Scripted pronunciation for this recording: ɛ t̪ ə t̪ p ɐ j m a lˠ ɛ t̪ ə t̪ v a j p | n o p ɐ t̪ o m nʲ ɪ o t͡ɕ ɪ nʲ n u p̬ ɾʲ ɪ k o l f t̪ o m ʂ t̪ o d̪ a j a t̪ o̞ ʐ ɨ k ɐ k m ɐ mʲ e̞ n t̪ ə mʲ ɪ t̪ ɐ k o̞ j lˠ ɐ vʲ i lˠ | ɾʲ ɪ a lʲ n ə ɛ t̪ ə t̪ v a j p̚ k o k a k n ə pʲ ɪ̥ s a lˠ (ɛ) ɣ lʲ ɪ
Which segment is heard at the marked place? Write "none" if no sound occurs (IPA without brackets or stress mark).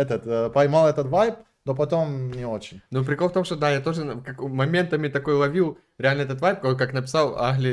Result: a